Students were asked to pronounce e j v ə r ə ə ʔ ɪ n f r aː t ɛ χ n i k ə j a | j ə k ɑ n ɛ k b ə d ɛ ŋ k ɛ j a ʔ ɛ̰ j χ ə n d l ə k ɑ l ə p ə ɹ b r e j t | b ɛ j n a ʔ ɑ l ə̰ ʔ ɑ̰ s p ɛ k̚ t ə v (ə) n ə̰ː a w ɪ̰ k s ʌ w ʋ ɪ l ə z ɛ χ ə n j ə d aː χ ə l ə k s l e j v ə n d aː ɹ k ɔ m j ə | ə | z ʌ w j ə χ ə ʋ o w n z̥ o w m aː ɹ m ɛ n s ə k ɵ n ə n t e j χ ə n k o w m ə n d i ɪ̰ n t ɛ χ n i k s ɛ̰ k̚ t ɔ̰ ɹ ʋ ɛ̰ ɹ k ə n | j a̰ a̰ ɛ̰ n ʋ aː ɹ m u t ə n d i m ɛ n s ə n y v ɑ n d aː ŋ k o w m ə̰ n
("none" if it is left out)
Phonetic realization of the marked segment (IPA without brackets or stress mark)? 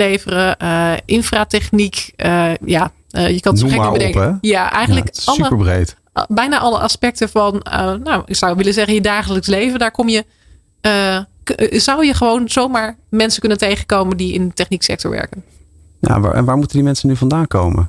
ɑ